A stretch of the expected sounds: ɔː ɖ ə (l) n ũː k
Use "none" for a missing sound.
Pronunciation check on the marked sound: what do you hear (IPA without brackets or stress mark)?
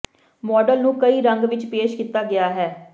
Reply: l